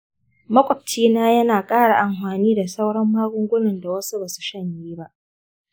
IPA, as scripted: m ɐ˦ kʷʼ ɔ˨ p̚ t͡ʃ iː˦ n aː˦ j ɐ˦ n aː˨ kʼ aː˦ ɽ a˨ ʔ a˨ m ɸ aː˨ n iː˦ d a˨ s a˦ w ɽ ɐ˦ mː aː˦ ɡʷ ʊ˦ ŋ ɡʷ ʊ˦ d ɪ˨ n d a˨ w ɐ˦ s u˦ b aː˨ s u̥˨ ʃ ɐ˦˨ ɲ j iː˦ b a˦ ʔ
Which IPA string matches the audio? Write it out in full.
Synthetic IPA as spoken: m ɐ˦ kʷʼ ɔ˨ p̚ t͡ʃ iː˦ n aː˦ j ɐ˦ n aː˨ kʼ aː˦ ɽ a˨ ʔ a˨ m ɸ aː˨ n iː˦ d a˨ s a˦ w ɽ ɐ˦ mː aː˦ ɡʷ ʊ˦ ŋ ɡʷ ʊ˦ n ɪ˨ n d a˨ w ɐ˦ s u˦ b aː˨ s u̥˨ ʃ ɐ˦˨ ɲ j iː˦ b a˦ ʔ